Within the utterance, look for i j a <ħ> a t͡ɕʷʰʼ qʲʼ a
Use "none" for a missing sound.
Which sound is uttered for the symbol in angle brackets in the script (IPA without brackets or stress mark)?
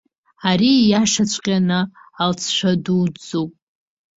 ʂ